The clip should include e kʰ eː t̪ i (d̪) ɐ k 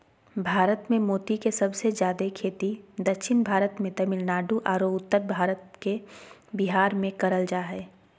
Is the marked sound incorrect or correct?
correct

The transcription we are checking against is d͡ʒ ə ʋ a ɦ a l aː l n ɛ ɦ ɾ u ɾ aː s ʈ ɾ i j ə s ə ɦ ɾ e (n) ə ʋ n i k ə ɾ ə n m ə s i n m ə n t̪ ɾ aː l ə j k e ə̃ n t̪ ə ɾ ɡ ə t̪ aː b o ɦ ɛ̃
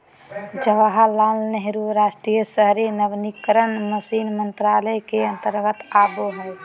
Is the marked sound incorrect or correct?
correct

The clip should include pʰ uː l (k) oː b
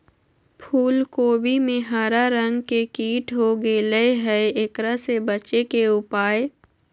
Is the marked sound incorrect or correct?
correct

